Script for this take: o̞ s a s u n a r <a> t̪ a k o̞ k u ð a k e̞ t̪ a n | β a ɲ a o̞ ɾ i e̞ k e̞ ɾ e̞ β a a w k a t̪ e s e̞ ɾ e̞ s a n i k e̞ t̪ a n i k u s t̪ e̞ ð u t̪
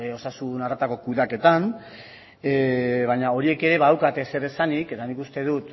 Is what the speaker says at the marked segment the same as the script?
yes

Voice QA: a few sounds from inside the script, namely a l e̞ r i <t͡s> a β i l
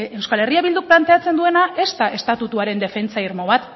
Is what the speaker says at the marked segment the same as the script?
no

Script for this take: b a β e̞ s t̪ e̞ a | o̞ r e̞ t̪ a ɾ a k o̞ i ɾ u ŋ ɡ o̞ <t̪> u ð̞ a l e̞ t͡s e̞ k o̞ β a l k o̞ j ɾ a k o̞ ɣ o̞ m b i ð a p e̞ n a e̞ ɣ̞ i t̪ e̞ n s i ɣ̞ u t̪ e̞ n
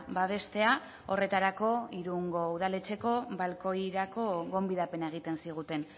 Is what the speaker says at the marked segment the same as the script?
no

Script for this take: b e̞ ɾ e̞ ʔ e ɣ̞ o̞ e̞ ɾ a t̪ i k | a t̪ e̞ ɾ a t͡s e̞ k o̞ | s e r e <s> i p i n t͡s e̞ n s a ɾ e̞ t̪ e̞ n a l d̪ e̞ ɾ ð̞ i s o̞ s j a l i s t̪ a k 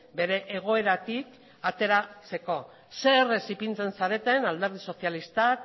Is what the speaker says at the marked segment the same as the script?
yes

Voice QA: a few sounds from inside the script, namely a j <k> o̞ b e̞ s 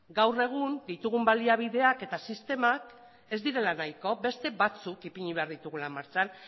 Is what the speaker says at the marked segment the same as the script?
yes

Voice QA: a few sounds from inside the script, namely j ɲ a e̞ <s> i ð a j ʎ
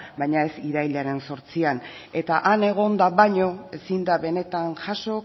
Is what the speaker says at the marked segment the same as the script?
yes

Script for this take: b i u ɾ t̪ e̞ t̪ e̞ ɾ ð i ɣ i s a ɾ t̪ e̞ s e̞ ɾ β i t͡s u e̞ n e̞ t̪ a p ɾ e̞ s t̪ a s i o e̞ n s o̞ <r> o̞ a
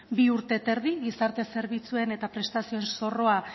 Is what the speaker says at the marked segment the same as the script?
yes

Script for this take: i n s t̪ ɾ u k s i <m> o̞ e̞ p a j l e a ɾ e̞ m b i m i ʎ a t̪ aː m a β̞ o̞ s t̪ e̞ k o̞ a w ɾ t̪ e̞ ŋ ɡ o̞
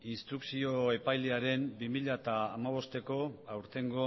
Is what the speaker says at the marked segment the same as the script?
no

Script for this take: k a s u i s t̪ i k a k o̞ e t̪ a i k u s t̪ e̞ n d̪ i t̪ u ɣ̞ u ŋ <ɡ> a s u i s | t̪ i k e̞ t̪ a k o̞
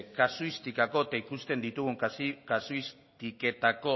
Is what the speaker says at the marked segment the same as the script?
no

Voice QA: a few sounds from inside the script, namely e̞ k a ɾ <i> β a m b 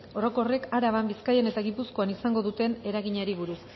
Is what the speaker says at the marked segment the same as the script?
no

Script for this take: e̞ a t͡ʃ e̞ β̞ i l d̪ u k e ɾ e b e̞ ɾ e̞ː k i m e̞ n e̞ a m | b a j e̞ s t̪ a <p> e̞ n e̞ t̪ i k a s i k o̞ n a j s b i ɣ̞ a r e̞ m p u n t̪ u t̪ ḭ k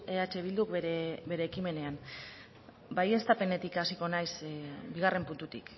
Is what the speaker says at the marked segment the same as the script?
yes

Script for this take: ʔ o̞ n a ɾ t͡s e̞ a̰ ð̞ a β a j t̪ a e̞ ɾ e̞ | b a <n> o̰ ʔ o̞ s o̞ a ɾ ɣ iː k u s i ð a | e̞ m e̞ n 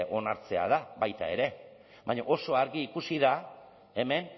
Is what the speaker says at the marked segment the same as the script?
no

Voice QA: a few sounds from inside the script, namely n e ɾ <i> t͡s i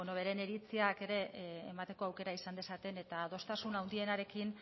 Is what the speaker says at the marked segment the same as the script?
yes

